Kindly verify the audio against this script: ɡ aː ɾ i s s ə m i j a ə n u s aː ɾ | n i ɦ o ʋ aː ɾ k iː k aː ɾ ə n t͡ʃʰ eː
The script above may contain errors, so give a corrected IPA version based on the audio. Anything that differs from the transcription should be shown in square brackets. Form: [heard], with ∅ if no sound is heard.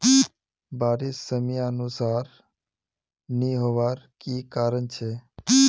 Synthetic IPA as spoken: [b] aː ɾ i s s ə m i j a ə n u s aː ɾ | n i ɦ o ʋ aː ɾ k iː k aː ɾ ə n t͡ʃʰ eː